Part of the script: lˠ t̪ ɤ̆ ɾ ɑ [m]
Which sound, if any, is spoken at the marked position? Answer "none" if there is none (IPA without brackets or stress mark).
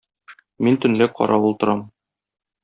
m